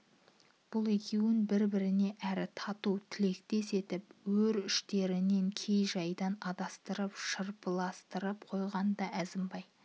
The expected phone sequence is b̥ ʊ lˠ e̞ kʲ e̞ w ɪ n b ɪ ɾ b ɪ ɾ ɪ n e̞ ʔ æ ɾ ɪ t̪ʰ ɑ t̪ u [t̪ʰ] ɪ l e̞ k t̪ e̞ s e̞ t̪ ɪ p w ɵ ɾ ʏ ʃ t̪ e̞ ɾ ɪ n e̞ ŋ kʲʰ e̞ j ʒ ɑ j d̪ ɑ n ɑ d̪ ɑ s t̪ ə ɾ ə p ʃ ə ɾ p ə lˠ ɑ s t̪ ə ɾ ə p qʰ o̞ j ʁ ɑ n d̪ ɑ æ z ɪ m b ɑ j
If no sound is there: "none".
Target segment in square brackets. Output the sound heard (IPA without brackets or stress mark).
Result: t̪ʰ